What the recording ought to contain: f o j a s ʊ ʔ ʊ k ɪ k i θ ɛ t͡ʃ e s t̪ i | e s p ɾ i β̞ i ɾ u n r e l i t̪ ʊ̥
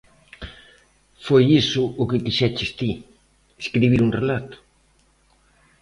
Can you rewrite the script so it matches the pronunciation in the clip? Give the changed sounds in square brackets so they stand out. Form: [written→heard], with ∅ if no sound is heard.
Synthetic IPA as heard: f o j [a→i] s ʊ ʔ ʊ k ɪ k i [θ→ʃ] ɛ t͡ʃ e s t̪ i | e s [p→k] ɾ i β̞ i ɾ u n r e l [i→a] t̪ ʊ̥